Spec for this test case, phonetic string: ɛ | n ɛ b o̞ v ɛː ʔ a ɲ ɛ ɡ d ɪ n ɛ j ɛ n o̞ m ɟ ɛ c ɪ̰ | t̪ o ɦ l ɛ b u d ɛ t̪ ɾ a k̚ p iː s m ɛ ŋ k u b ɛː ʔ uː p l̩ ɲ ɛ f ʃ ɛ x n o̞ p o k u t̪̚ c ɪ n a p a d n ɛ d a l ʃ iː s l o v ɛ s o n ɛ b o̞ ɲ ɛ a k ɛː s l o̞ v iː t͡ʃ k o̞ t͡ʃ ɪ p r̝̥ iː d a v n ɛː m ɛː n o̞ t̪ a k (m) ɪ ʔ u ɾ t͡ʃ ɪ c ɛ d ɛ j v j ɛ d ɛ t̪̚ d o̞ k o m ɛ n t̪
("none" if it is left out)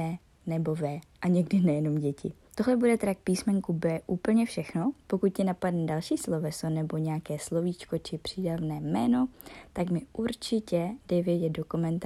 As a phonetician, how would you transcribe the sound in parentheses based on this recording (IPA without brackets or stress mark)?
m